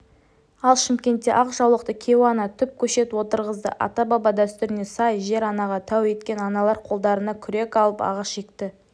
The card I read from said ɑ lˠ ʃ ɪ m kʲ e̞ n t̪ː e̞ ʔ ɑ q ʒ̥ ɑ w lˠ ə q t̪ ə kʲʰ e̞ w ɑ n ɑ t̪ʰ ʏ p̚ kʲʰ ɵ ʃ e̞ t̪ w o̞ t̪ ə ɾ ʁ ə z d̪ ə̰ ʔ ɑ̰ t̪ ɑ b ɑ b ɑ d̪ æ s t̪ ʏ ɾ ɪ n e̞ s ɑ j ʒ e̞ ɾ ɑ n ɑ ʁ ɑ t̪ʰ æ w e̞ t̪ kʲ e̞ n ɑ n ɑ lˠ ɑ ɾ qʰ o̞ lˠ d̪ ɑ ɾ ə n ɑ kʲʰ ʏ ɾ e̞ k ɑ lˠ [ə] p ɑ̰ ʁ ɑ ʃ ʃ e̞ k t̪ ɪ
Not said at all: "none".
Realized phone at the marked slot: ə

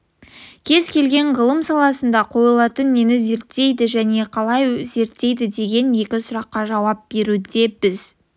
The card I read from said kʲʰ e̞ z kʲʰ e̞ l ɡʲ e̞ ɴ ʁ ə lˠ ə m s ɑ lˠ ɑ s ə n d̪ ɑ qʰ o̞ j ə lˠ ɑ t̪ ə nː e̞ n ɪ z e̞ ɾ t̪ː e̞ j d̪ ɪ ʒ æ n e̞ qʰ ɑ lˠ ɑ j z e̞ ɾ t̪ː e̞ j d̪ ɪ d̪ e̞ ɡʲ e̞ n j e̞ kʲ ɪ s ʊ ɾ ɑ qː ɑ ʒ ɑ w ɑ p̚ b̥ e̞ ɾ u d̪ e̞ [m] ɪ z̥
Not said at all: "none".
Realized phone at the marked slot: b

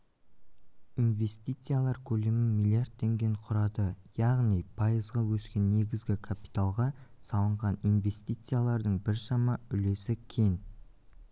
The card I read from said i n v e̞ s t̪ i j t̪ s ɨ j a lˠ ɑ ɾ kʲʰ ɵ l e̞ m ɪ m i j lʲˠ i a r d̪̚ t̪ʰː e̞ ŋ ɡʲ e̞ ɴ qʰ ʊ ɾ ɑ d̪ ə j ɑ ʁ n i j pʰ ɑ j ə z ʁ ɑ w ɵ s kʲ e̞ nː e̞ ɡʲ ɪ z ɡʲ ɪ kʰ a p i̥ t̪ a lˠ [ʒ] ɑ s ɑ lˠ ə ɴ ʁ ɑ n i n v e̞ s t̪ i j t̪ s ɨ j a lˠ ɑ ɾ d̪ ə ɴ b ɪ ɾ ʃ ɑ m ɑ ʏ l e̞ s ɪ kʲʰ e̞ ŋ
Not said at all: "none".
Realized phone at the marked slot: ʁ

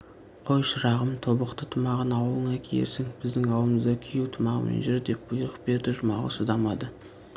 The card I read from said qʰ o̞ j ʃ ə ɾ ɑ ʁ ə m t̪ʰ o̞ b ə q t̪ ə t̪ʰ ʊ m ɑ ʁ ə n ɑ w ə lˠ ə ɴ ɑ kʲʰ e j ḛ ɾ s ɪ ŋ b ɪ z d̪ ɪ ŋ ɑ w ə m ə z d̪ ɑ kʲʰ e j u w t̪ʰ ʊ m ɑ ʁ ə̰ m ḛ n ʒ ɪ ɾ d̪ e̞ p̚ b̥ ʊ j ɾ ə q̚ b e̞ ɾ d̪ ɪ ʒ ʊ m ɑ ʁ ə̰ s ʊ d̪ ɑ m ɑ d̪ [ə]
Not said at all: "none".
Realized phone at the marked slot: ə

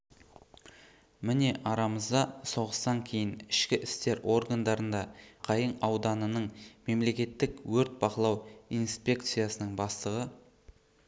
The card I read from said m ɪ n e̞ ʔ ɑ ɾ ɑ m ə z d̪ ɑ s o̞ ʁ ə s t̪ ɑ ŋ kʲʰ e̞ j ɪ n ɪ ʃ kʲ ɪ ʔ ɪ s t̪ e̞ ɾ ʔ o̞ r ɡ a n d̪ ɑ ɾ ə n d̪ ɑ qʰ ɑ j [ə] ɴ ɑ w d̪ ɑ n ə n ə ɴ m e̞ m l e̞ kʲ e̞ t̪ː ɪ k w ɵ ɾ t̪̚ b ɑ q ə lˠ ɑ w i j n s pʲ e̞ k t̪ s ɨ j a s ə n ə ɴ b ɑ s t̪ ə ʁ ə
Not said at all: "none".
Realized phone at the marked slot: ə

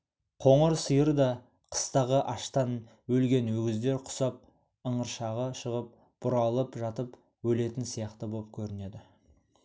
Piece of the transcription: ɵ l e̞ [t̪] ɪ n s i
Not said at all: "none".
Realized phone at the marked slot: t̪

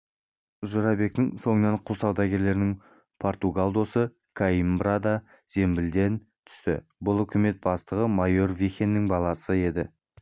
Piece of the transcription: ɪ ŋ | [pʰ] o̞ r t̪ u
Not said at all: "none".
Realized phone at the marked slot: pʰ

